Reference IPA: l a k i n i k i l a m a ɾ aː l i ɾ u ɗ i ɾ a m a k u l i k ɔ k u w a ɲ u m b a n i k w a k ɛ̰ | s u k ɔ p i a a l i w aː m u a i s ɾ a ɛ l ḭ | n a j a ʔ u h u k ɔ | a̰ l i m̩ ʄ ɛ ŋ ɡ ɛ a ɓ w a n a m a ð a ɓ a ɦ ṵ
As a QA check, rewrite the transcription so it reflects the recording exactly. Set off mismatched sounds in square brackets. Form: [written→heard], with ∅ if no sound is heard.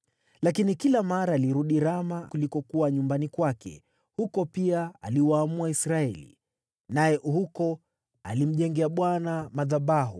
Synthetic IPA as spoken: l a k i n i k i l a m a ɾ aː l i ɾ u ɗ i ɾ a m a k u l i k ɔ k u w a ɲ u m b a n i k w a k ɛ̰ | [s→h] u k ɔ p i a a l i w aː m u a i s ɾ a ɛ l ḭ | n a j [a→ɛ] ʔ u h u k ɔ | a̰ l i m̩ ʄ ɛ ŋ ɡ ɛ a ɓ w a n a m a ð a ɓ a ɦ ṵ

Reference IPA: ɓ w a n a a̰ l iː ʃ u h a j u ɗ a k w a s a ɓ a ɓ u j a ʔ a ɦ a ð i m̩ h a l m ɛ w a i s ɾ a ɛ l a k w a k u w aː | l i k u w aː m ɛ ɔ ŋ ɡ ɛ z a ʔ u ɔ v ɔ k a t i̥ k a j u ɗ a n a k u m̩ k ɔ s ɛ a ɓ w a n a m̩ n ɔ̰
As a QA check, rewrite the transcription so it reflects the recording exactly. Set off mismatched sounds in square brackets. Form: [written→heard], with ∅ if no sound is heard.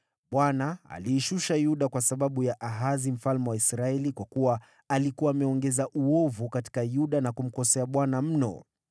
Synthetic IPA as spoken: ɓ w a n a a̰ l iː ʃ u [h→ʃ] a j u ɗ a k w a s a ɓ a ɓ u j a ʔ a ɦ a [ð→z] i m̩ [h→f] a l m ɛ w a i s ɾ a ɛ l [a→i] k w a k u w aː | l i k u w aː m ɛ ɔ ŋ ɡ ɛ z a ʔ u ɔ v [ɔ→u] k a t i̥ k a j u ɗ a n a k u m̩ k ɔ s ɛ a ɓ w a n a m̩ n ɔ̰

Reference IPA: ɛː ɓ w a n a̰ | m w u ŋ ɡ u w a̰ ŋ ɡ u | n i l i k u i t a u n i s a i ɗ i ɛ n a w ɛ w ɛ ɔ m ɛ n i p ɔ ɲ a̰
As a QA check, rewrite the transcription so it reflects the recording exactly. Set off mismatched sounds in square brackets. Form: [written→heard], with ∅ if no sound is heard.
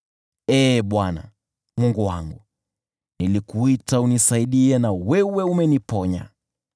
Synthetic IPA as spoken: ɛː ɓ w a n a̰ | m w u ŋ ɡ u w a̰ ŋ ɡ u | n i l i k u i t a u n i s a i ɗ i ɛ n a w ɛ w ɛ [ɔ→u] m ɛ n i p ɔ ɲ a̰

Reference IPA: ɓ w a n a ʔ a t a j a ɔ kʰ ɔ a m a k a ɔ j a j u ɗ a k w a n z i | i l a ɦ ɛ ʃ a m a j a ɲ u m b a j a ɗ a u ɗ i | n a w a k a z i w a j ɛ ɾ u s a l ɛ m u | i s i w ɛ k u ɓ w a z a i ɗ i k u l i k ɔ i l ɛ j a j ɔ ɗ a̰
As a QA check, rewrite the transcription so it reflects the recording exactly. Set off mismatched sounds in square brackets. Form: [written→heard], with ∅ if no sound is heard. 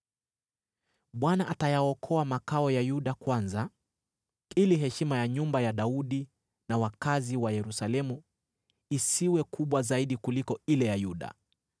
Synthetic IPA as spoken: ɓ w a n a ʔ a t a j a ɔ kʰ ɔ a m a k a ɔ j a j u ɗ a k w a n z [i→a] | i l [a→i] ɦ ɛ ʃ [a→i] m a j a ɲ u m b a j a ɗ a u ɗ i | n a w a k a z i w a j ɛ ɾ u s a l ɛ m u | i s i w ɛ k u ɓ w a z a i ɗ i k u l i k ɔ i l ɛ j a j [ɔ→u] ɗ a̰

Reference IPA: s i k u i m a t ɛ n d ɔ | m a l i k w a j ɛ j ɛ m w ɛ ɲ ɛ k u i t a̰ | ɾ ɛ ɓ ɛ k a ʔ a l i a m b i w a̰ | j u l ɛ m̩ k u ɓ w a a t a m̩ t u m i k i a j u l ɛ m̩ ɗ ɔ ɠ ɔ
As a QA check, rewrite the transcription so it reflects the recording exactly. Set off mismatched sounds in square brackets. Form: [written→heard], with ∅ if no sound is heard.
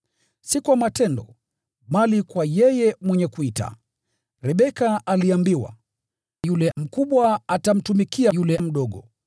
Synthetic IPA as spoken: s i k u [i→a] m a t ɛ n d ɔ | m a l i k w a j ɛ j ɛ m w ɛ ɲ ɛ k u i t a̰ | ɾ ɛ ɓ ɛ k a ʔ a l i a m b i w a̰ | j u l ɛ m̩ k u ɓ w a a t a m̩ t u m i k i a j u l ɛ m̩ ɗ ɔ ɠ ɔ

